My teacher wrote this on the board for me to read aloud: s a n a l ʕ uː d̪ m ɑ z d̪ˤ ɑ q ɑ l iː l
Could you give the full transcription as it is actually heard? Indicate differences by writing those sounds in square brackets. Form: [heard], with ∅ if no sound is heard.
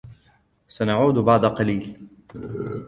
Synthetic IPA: s a n a [∅] ʕ uː d̪ [b] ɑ [ʕ] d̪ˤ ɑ q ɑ l iː l